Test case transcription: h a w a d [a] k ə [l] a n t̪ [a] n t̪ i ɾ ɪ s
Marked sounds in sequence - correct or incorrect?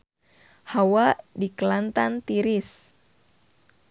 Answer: incorrect: i, correct, correct

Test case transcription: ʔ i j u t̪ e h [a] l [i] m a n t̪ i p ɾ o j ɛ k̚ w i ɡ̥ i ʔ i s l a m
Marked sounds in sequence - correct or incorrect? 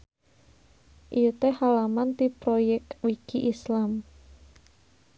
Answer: correct, incorrect: a

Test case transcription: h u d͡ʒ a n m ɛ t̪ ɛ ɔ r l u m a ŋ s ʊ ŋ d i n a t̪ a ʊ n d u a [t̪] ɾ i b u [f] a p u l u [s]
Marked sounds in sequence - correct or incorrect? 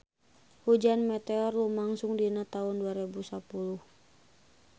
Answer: incorrect: none, incorrect: s, incorrect: h

